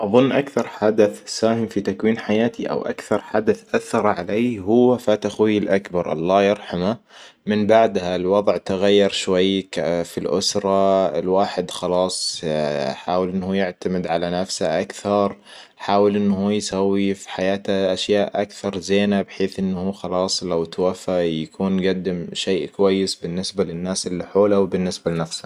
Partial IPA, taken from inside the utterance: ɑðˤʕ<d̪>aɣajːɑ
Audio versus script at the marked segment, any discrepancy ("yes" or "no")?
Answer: yes